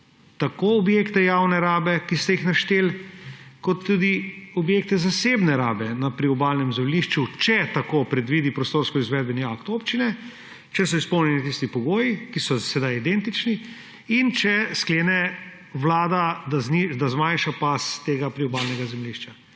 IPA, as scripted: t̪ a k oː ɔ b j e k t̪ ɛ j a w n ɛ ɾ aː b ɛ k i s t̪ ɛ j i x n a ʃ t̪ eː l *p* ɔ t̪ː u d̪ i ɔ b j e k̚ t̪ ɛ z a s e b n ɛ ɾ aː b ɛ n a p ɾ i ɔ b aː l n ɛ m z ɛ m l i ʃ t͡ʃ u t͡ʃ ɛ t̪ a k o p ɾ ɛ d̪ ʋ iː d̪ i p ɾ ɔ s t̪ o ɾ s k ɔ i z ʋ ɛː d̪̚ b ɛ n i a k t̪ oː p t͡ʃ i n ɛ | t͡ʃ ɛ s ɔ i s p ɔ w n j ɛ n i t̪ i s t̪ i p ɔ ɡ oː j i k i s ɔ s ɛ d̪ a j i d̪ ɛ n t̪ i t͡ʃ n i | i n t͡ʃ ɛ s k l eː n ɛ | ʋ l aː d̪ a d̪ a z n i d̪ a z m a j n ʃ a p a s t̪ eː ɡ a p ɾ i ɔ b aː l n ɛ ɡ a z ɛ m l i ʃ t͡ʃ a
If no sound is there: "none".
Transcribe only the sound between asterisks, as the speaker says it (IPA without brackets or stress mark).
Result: k